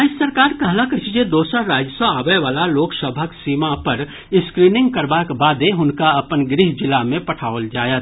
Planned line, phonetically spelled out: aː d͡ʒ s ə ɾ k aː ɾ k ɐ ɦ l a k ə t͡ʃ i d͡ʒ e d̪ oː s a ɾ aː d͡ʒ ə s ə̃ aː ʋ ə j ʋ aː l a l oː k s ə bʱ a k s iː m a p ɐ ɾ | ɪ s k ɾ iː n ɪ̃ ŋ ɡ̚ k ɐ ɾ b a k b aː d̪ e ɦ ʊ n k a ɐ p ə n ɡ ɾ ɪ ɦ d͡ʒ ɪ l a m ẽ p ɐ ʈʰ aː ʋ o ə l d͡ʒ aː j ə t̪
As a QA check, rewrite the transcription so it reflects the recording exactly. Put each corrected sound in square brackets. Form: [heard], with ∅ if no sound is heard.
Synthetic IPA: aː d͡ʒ s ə ɾ k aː ɾ k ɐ ɦ l a k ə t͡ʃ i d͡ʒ e d̪ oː s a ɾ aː d͡ʒ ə s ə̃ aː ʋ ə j ʋ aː l a l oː k s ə bʱ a k s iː m a p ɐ ɾ | ɪ s k ɾ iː n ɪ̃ ŋ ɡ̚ k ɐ ɾ b a k b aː d̪ e ɦ ʊ n k a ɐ p ə n ɡ ɾ ɪ ɦ d͡ʒ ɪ l a m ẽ p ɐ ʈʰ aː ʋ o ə l d͡ʒ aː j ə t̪